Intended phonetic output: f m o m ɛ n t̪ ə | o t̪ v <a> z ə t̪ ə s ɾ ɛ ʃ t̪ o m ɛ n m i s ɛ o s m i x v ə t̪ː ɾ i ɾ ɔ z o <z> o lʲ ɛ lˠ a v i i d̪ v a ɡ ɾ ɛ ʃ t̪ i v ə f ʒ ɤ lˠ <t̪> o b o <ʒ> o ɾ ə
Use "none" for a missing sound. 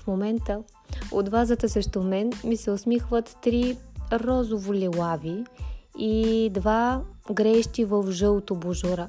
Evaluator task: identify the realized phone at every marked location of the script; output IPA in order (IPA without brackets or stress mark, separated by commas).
a, v, t̪, ʒ